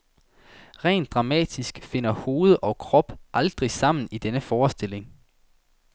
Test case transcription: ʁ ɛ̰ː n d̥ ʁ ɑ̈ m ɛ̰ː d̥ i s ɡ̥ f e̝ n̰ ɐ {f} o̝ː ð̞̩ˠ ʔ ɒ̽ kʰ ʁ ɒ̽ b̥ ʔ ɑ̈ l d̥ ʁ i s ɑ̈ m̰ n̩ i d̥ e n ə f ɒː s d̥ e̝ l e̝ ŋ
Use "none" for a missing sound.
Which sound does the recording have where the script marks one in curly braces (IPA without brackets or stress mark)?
h